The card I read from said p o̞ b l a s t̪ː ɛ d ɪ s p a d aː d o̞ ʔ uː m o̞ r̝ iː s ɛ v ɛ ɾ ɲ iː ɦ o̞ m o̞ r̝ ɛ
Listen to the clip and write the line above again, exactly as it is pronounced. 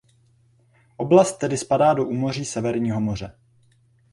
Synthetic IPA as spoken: ʔ o̞ b l a s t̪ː ɛ d ɪ s p a d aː d o̞ ʔ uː m o̞ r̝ iː s ɛ v ɛ ɾ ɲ iː ɦ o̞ m o̞ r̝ ɛ